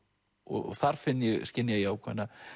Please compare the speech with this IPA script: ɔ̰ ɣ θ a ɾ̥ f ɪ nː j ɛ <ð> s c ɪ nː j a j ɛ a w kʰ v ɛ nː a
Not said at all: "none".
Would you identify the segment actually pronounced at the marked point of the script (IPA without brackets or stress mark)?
ɣ